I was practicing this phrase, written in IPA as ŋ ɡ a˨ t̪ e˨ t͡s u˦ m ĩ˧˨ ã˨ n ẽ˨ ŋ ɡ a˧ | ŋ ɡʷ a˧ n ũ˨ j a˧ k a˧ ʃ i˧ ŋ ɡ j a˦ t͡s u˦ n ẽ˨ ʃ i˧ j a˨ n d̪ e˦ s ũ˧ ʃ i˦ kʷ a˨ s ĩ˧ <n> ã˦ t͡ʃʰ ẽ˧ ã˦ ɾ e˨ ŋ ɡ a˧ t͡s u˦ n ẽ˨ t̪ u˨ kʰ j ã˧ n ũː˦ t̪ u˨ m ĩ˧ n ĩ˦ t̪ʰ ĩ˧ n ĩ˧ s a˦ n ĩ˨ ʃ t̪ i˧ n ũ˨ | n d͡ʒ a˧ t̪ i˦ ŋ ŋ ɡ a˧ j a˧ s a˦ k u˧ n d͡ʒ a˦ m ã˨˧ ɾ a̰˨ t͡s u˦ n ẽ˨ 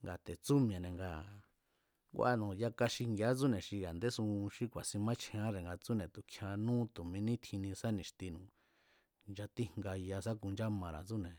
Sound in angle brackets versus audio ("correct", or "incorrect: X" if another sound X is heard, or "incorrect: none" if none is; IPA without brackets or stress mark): incorrect: m